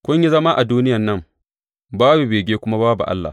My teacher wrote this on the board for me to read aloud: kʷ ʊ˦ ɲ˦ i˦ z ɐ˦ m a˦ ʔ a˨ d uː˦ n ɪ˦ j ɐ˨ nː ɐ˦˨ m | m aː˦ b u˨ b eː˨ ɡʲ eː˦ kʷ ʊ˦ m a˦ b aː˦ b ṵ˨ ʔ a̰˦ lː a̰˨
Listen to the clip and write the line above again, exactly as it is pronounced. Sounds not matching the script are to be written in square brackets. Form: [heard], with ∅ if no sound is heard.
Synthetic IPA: kʷ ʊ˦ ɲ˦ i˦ z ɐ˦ m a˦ ʔ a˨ d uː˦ n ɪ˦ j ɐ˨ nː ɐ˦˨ m | [b] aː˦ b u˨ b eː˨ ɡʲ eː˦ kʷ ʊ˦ m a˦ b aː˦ b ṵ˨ ʔ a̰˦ lː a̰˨